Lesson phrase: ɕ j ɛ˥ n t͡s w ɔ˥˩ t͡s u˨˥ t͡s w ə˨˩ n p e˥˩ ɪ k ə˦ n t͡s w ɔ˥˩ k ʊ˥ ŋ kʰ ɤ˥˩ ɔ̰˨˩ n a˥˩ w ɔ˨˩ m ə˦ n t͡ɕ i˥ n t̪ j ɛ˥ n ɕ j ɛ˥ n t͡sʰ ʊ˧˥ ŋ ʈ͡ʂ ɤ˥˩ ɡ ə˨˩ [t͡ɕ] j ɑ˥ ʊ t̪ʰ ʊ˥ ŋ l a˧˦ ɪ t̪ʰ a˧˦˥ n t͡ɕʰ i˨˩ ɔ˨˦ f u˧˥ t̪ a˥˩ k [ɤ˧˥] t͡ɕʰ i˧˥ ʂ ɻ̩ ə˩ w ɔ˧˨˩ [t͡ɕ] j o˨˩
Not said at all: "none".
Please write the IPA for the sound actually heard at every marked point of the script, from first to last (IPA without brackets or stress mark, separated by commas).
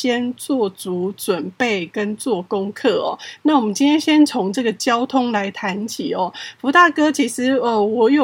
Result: t͡ɕ, ɤ˥, none